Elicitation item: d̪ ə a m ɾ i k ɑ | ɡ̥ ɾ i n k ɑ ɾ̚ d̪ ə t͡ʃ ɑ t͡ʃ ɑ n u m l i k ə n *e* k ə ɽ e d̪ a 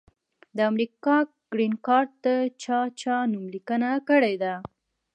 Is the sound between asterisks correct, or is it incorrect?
incorrect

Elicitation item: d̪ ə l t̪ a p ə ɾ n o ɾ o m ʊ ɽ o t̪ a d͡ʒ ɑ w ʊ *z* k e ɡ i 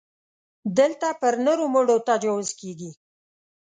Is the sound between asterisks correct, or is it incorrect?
correct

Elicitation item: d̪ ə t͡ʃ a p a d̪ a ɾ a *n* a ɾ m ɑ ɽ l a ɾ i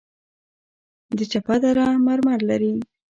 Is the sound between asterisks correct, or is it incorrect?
incorrect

